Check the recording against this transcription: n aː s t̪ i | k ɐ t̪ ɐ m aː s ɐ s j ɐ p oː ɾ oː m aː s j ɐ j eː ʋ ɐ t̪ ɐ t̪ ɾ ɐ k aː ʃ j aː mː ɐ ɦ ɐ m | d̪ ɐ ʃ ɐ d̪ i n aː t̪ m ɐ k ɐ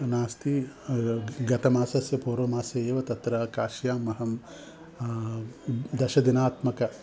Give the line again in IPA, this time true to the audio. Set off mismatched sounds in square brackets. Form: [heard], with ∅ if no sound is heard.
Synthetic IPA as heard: n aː s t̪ i | [ɡ] ɐ t̪ ɐ m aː s ɐ s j ɐ p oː ɾ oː m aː s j ɐ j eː ʋ ɐ t̪ ɐ t̪ ɾ ɐ k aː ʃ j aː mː ɐ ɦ ɐ m | d̪ ɐ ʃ ɐ d̪ i n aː t̪ m ɐ k ɐ